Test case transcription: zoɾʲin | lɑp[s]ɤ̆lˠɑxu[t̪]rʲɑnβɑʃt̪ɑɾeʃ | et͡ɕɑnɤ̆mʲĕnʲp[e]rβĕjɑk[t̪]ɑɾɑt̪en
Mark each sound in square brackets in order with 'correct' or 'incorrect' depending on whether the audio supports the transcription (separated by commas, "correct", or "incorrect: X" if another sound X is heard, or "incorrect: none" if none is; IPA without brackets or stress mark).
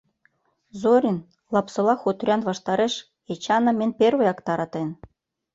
correct, correct, correct, correct